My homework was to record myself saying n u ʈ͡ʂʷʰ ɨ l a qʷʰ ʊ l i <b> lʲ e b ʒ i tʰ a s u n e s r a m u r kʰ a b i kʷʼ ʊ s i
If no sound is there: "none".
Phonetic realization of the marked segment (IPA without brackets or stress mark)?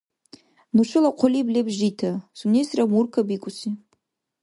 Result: b